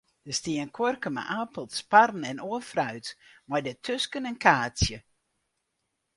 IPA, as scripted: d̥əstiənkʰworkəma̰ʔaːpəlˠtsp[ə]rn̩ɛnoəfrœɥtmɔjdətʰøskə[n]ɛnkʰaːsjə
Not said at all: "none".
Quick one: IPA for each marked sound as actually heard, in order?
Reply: a, n

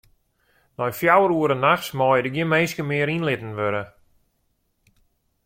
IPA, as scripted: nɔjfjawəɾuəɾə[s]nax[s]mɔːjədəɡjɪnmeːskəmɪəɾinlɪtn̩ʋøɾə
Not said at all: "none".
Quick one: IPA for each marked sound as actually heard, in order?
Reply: none, s

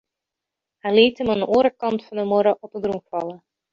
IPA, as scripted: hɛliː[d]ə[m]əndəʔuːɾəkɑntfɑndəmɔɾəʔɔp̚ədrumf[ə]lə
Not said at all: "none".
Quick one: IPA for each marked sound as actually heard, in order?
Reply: t, m, ɑ

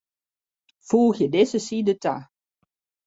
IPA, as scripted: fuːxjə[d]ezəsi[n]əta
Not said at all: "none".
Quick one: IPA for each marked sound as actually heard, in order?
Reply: d, d

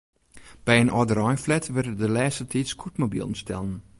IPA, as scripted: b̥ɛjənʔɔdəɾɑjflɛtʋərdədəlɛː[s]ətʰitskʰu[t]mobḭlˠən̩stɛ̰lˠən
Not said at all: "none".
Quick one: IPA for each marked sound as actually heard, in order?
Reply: s, t

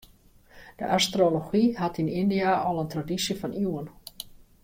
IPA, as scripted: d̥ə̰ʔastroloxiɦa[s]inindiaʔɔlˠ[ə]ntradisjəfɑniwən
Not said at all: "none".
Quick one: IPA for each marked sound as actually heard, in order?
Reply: t, ə

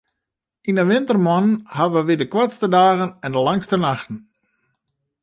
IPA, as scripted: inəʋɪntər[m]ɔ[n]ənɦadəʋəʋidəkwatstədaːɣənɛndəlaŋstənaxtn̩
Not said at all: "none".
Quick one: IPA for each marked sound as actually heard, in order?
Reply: m, n

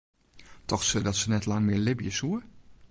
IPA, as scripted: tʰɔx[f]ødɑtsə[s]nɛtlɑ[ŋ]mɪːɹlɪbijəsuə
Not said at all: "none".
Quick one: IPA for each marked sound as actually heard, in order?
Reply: s, none, ŋ

